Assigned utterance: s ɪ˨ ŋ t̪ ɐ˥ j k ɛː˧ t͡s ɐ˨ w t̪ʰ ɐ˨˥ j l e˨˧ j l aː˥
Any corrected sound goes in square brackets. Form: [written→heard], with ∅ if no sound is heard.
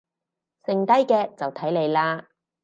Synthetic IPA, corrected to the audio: s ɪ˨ ŋ t̪ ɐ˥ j k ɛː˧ t͡s ɐ˨ w t̪ʰ ɐ˨˥ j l e˨˧ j l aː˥